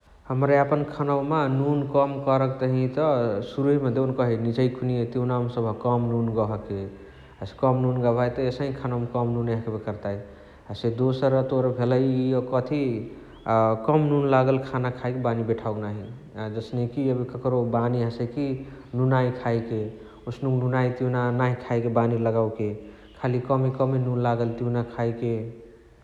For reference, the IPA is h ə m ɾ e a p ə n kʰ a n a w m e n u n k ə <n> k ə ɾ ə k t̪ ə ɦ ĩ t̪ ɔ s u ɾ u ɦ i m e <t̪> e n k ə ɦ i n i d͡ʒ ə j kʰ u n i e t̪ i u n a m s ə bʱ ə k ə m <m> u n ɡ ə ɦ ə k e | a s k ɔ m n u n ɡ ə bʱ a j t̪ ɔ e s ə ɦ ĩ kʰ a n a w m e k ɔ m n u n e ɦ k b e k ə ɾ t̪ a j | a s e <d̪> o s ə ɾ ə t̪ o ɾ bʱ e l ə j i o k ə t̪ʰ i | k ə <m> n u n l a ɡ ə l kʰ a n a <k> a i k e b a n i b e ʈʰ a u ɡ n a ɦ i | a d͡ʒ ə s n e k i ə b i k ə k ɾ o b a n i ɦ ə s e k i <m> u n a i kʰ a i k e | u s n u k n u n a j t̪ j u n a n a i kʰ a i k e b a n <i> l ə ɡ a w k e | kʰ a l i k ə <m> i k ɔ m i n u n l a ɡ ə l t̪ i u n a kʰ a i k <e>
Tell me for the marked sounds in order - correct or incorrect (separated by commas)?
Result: incorrect, incorrect, incorrect, correct, correct, incorrect, incorrect, correct, correct, correct